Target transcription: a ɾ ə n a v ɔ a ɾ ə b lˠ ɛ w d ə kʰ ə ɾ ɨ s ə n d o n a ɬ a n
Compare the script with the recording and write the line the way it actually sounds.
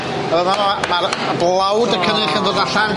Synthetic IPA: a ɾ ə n a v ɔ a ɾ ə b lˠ a w d ə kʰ ə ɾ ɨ χ ə n d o d a ɬ a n

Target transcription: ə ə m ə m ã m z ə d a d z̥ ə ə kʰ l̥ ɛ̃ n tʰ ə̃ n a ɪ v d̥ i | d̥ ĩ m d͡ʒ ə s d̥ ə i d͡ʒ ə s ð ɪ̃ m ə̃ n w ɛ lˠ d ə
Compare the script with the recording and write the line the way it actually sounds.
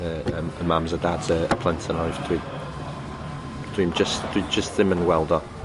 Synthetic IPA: ə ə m ə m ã m z ə d a d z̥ ə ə pʰ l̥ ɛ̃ n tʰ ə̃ n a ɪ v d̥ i | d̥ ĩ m d͡ʒ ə s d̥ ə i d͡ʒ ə s ð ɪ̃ m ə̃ n w ɛ lˠ d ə

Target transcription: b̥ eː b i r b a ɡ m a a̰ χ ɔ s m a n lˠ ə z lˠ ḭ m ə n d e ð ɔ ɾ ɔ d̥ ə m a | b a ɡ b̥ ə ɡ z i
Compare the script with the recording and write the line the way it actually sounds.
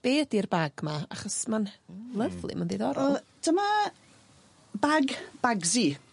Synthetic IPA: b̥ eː d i r b a ɡ m a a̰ χ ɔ s m a n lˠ ə v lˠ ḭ m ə n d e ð ɔ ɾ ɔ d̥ ə m a | b a ɡ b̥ a ɡ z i

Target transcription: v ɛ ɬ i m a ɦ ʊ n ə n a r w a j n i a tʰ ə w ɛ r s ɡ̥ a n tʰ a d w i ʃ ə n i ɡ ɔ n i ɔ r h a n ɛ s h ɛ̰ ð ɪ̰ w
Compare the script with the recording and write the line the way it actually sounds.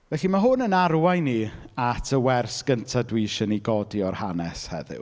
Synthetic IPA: v ɛ ɬ i m a ɦ ʊ n ə n a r w a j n i a tʰ ə w ɛ r s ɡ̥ ə n tʰ a d w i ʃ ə n i ɡ ɔ d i ɔ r h a n ɛ s h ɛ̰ ð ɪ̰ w

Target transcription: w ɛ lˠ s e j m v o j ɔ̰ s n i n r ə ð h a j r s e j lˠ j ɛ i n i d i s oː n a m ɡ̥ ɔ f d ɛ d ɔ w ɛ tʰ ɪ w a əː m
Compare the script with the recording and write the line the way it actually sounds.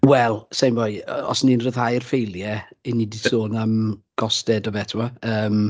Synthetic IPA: w ɛ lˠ s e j m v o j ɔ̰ s n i n r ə ð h a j r f e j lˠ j ɛ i n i d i s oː n a m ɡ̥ ɔ s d ɛ d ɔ v ɛ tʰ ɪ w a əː m

